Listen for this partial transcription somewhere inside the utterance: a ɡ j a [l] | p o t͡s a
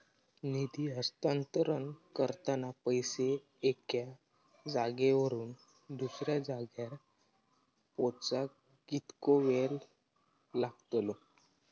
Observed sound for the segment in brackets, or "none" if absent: ɾ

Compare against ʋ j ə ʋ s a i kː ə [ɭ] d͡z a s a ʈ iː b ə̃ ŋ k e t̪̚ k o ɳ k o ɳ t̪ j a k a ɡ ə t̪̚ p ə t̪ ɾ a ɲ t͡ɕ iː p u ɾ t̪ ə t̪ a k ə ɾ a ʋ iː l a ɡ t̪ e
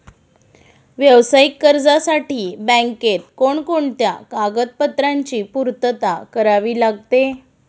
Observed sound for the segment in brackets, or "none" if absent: ɾ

